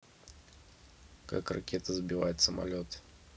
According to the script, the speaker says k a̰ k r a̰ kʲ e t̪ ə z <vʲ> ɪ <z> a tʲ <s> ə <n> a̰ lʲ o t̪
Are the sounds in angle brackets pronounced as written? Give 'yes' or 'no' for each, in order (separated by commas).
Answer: no, no, yes, no